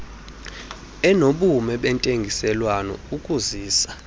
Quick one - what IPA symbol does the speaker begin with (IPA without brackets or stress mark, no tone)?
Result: ɛ